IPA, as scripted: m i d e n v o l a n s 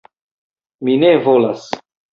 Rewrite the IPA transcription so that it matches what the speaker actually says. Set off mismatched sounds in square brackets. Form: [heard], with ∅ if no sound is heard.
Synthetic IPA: m i [n] e [∅] v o l a [∅] s